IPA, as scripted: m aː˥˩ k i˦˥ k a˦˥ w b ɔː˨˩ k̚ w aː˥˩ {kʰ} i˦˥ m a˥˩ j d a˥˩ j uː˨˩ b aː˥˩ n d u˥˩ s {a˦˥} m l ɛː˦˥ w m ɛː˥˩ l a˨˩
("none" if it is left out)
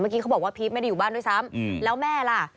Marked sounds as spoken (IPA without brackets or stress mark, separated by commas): pʰ, a˦˥